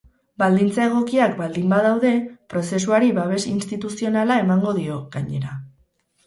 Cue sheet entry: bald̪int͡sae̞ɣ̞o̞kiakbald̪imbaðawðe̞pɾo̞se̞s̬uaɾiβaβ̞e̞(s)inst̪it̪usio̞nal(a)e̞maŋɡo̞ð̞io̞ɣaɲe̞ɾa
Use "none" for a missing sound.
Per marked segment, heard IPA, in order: s, a

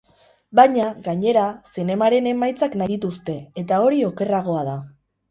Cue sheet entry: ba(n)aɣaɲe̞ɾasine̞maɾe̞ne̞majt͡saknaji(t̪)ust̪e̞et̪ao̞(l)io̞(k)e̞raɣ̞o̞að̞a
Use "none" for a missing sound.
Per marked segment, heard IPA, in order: ɲ, t̪, ɾ, k

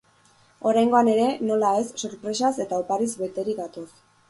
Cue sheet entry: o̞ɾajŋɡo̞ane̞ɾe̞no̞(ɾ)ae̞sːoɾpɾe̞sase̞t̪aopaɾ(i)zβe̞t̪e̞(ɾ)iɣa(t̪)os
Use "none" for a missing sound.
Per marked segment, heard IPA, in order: l, i, ɾ, t̪

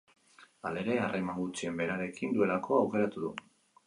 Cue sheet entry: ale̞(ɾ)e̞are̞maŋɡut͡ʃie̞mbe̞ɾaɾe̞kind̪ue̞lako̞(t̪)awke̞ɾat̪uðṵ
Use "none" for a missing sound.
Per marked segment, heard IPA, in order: ɾ, none

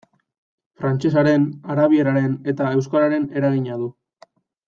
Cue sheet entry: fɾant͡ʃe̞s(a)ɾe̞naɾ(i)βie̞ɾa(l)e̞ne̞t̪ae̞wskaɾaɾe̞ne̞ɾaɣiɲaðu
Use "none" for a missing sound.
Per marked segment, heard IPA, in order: a, a, ɾ

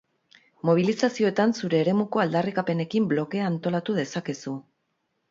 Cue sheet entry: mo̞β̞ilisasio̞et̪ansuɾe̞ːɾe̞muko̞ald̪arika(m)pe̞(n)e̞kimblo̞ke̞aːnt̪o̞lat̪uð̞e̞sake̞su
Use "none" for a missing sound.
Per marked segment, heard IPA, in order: none, n

